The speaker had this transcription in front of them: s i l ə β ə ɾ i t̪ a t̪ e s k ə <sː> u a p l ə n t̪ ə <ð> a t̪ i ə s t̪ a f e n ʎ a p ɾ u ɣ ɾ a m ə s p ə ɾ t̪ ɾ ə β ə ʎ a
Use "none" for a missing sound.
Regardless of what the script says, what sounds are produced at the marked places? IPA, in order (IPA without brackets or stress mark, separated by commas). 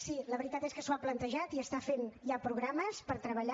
s, ʒ